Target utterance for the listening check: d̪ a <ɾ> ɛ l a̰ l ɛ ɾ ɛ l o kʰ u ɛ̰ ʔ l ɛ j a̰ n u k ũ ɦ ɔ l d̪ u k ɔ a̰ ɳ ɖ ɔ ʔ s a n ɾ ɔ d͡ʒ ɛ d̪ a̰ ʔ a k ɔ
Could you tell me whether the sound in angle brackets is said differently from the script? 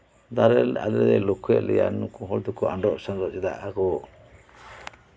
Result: no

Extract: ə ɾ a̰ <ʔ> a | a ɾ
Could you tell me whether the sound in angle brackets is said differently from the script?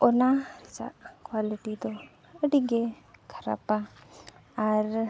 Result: yes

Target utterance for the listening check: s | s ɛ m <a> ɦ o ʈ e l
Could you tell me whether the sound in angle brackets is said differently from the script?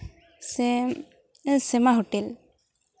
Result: no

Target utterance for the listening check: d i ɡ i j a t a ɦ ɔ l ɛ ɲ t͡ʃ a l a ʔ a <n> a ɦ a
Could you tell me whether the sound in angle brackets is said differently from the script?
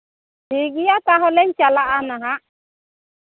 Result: no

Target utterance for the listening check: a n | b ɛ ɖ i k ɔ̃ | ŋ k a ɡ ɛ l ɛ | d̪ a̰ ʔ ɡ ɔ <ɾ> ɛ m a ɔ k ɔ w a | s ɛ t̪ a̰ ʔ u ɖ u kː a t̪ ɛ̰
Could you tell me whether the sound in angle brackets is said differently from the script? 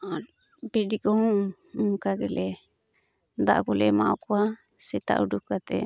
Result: yes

